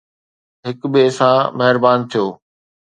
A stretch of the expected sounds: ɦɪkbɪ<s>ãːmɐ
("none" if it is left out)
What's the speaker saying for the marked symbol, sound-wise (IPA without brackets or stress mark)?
s